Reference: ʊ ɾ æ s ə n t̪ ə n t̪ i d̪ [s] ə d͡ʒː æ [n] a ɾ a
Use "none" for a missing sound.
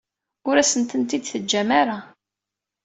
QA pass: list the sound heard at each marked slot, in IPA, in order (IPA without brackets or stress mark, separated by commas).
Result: θ, m